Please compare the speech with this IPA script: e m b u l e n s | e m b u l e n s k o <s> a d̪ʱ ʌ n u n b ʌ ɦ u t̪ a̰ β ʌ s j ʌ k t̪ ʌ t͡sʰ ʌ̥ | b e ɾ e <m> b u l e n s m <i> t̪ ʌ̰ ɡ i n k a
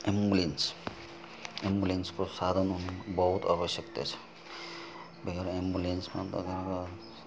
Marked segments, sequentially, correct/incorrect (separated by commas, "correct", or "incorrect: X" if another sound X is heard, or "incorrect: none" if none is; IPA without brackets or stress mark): correct, correct, incorrect: a